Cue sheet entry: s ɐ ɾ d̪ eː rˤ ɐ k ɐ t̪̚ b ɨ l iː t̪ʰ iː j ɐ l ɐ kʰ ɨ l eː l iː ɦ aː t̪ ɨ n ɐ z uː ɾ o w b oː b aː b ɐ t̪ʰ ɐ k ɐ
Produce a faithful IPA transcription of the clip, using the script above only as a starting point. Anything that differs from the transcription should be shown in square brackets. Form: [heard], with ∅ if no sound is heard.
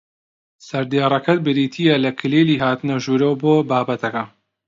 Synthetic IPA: s ɐ ɾ d̪ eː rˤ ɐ k ɐ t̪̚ b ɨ [ɾ] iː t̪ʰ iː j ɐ l ɐ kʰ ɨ l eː l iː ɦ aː t̪ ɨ n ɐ [ʒ] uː ɾ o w b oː b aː b ɐ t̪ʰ ɐ k ɐ